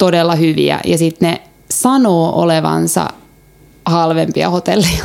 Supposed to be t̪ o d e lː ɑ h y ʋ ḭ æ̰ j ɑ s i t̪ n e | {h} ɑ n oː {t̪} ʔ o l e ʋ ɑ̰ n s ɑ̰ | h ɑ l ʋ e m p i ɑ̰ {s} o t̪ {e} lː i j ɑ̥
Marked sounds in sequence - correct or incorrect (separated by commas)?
incorrect, incorrect, incorrect, correct